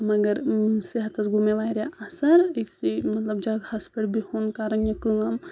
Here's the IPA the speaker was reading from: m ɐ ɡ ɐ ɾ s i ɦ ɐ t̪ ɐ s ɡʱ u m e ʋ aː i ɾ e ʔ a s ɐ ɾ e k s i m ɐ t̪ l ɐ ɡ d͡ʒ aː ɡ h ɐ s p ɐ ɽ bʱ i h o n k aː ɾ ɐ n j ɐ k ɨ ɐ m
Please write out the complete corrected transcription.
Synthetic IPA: m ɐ ɡ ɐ ɾ s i ɦ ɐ t̪ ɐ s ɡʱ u m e ʋ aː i ɾ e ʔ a s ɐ ɾ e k s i m ɐ t̪ l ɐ b d͡ʒ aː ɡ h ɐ s p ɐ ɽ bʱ i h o n k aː ɾ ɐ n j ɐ k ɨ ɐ m

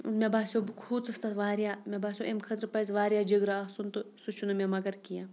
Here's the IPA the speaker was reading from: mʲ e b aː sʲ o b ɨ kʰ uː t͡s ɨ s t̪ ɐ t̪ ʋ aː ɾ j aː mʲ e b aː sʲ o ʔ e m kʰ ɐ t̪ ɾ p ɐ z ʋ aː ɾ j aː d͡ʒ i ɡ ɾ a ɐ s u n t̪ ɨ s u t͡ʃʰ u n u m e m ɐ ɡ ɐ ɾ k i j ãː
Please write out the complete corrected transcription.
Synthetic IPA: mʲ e b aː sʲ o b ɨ kʰ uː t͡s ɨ s t̪ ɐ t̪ ʋ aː ɾ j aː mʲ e b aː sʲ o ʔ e m kʰ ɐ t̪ ɾ p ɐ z ʋ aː ɾ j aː d͡ʒ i ɡ ɾ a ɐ s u n t̪ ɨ s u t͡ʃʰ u n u m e m ɐ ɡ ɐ ɾ k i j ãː

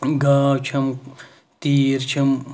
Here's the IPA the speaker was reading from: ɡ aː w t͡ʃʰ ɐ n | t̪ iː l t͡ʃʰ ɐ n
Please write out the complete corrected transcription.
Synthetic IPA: ɡ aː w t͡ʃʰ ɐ m | t̪ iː ɾ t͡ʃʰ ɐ m

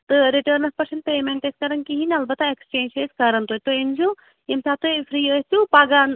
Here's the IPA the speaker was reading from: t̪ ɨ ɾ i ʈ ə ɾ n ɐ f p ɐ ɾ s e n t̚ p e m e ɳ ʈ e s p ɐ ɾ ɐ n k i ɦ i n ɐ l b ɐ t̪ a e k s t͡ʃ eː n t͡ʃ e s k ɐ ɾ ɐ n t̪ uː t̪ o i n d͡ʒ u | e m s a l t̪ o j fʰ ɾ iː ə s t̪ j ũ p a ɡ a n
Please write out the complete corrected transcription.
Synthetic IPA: t̪ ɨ ɾ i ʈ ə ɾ n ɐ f p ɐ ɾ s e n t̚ p e m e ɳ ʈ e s k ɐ ɾ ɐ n k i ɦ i n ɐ l b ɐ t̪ a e k s t͡ʃ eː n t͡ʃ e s k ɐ ɾ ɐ n t̪ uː t̪ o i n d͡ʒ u | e m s a t̪ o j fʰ ɾ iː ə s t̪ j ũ p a ɡ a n

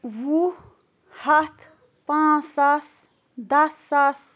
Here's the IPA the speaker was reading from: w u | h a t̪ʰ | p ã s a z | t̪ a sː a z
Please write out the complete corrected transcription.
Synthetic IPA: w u | h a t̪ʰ | p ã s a s | d̪ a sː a s

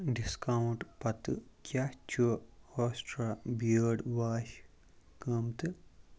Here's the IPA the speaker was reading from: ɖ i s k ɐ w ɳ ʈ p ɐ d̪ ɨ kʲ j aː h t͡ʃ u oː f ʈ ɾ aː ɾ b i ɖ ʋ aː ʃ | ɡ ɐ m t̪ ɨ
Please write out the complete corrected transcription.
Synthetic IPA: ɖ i s k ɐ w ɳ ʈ p ɐ t̪ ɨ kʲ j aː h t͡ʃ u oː s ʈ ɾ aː b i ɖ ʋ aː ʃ | k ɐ m t̪ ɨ

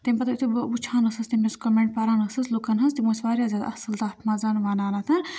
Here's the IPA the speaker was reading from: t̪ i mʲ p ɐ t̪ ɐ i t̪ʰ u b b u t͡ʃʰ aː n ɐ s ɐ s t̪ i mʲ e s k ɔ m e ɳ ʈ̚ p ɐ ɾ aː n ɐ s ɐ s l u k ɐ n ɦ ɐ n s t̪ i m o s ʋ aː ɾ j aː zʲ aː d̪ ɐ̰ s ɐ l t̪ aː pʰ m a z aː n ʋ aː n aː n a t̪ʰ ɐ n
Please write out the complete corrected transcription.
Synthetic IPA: t̪ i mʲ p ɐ t̪ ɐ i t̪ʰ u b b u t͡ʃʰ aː n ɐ s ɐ s t̪ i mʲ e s k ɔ m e ɳ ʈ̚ p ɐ ɾ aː n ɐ s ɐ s l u k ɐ n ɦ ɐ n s t̪ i m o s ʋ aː ɾ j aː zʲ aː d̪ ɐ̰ s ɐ l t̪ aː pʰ m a z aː n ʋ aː n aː n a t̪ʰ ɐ n

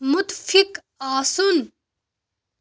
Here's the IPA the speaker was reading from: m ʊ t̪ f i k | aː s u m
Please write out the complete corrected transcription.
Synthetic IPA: m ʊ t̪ f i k | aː s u n

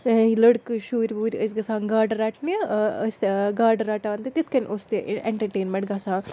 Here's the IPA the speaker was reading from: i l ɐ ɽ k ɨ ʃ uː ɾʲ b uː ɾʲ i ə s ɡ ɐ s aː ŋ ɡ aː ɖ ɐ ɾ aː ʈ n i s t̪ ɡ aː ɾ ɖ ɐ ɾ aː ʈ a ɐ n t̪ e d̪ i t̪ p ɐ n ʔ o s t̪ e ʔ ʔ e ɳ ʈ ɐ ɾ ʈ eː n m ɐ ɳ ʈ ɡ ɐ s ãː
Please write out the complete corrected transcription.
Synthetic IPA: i l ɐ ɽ k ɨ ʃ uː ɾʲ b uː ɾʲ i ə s ɡ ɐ s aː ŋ ɡ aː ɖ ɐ ɾ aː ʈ n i s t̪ ɡ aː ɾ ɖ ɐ ɾ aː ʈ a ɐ n t̪ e t̪ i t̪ k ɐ n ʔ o s t̪ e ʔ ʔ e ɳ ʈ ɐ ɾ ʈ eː n m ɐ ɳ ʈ ɡ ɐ s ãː

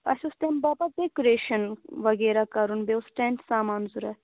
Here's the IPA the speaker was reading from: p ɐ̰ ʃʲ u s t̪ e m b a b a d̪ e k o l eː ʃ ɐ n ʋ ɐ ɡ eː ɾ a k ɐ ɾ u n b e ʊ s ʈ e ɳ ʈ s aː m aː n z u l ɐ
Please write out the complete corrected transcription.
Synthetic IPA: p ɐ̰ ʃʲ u s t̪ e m b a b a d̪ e k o ɾ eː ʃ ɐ n ʋ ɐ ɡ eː ɾ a k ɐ ɾ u n b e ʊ s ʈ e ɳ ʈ s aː m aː n z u ɾ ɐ

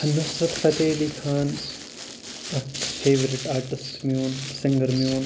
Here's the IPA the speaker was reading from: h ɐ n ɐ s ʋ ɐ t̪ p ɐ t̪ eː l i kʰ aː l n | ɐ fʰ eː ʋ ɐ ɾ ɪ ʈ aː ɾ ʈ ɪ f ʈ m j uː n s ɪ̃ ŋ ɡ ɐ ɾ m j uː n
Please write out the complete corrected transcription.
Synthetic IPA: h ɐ n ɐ s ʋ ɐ t̪ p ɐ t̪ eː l i kʰ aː n | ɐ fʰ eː ʋ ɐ ɾ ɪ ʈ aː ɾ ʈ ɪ s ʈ m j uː n s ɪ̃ ŋ ɡ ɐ ɾ m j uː n

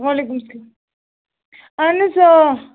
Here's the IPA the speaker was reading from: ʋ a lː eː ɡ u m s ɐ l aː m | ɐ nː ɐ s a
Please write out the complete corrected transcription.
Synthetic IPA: ʋ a l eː k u m s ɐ l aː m | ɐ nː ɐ s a

